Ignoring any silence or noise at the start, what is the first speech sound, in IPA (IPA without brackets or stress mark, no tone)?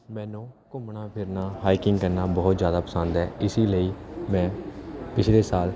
m